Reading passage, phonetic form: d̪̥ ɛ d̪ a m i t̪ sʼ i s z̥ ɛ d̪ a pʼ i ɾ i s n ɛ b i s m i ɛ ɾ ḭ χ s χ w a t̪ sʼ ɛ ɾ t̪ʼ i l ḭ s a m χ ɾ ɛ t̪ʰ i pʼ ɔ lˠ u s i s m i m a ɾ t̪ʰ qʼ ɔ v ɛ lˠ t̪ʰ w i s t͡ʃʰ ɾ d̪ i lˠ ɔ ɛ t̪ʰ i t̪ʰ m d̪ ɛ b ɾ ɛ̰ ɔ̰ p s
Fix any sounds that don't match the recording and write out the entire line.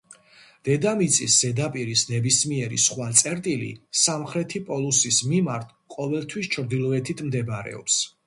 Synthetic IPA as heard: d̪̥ ɛ d̪ a m i t̪ sʼ i s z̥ ɛ d̪ a pʼ i ɾ i s n ɛ b i s m i ɛ ɾ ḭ s χ w a t̪ sʼ ɛ ɾ t̪ʼ i l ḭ s a m χ ɾ ɛ t̪ʰ i pʼ ɔ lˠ u s i s m i m a ɾ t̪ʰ qʼ ɔ v ɛ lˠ t̪ʰ w i s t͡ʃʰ ɾ d̪ i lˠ ɔ ɛ t̪ʰ i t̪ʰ m d̪ ɛ b ɾ ɛ̰ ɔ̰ p s